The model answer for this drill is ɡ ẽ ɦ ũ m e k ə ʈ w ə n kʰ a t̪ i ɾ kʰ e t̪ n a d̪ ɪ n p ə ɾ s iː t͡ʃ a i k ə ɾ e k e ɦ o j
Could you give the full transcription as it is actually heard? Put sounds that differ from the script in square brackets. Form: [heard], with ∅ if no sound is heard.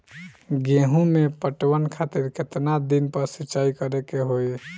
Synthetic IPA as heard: ɡ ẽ ɦ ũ m e [p] ə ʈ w ə n kʰ a t̪ i ɾ [k] e t̪ n a d̪ [i] n p ə ɾ s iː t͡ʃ a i k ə ɾ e k e ɦ o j